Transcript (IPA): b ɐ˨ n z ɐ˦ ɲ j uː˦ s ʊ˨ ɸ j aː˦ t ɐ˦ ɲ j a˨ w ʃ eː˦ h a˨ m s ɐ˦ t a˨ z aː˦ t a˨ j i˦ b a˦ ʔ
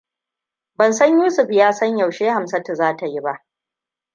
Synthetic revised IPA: b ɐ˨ n s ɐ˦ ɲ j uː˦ s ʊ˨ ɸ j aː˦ s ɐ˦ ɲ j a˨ w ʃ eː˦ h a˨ m s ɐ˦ t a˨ z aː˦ t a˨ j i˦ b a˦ ʔ